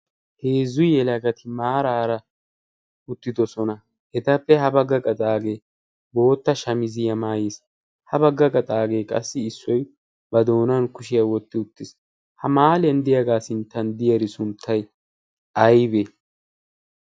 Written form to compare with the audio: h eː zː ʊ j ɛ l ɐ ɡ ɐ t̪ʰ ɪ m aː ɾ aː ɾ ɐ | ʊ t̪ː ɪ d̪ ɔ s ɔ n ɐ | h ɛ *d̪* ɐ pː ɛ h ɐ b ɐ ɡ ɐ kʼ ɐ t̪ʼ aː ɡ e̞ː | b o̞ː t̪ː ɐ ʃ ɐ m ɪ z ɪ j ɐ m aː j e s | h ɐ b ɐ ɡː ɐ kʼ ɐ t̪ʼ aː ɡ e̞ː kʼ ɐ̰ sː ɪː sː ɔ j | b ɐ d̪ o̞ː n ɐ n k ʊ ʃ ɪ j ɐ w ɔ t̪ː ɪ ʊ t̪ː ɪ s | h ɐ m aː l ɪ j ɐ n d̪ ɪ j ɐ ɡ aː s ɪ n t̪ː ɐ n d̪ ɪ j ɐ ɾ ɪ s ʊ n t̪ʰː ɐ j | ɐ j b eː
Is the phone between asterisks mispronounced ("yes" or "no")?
yes